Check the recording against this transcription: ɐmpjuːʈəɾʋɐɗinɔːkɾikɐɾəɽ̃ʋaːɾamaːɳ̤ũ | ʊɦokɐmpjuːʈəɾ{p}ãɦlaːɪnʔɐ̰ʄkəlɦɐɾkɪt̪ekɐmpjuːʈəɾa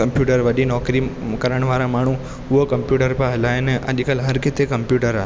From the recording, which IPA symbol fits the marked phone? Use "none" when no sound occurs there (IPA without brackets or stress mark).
p